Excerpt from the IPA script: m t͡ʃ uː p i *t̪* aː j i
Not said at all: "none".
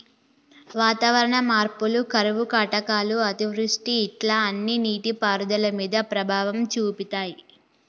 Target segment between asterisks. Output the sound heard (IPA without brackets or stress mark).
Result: t̪